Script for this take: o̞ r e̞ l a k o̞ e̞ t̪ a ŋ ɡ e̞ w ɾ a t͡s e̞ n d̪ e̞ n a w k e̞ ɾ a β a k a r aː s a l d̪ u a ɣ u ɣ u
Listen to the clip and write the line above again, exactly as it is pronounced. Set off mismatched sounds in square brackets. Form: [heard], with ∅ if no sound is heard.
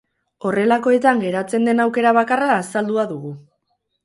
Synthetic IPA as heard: o̞ r e̞ l a k o̞ e̞ t̪ a ŋ ɡ e̞ [∅] ɾ a t͡s e̞ n d̪ e̞ n a w k e̞ ɾ a β a k a r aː s a l d̪ u a [ð] u ɣ u